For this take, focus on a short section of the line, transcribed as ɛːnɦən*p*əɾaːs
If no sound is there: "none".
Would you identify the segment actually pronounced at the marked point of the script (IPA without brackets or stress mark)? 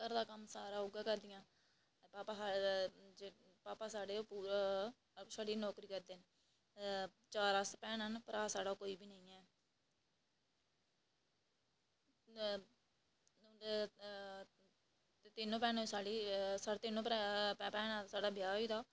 p